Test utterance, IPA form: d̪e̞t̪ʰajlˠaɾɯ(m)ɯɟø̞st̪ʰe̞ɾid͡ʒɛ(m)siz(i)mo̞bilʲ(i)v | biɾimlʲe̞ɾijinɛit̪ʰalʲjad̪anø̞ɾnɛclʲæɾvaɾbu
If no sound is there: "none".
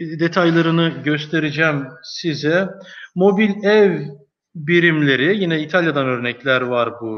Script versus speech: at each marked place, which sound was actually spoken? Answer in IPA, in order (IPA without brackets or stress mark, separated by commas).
n, m, ɛ, ɛ